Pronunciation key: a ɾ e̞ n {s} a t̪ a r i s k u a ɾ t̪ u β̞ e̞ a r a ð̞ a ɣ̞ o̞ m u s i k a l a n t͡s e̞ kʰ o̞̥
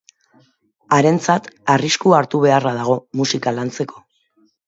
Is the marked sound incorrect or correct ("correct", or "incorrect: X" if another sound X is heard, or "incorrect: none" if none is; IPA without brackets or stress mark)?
incorrect: t͡s